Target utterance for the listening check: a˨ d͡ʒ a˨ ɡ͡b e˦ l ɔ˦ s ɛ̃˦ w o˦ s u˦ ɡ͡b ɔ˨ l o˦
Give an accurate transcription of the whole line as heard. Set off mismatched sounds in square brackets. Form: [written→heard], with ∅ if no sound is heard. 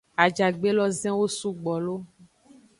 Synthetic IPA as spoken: a˨ d͡ʒ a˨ ɡ͡b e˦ l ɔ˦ [s→z] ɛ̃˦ w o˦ s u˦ ɡ͡b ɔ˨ l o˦